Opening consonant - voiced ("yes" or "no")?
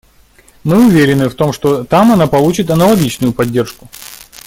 yes